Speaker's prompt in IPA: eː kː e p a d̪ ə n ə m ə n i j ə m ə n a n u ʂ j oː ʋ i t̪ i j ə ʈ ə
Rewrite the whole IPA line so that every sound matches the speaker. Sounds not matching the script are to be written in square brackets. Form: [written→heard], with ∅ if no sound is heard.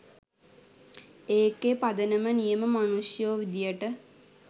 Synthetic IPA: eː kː e p a d̪ ə n ə m ə n i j ə m ə [n→m] a n u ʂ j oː ʋ i [t̪→d̪] i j ə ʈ ə